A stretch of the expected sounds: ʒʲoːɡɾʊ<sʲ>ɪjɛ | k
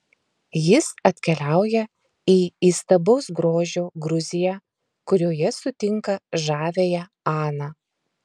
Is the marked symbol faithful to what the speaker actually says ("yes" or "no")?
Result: no